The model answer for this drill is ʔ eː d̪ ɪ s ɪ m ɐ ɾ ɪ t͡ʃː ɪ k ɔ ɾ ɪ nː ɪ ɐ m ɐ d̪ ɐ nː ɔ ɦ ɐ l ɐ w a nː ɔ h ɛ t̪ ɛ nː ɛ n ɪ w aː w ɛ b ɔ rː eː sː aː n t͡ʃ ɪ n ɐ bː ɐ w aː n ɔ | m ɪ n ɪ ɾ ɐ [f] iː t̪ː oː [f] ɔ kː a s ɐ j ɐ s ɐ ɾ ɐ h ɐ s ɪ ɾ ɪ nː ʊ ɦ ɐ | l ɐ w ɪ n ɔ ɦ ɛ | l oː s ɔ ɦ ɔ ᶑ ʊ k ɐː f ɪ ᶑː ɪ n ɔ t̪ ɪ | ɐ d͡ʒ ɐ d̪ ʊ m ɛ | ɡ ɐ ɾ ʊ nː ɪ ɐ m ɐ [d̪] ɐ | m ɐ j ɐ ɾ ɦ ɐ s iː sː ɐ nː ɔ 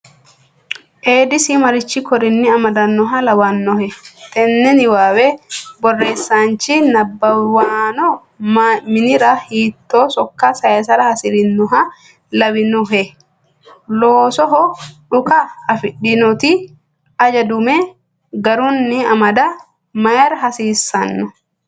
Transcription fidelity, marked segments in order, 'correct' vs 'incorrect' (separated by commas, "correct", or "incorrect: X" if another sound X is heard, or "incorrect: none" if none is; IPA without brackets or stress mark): incorrect: h, incorrect: s, correct